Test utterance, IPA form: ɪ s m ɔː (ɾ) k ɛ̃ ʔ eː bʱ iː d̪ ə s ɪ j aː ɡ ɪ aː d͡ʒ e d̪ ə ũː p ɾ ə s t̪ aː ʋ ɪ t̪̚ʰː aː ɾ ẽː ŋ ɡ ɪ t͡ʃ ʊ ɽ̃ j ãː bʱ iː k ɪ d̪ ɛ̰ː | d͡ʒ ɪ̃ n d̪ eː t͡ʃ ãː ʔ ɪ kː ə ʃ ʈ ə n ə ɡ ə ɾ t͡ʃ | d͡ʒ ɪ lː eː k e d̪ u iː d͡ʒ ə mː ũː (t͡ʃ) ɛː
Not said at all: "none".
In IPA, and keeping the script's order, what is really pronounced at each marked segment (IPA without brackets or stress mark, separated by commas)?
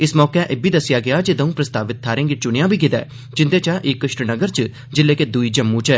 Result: none, t͡ʃ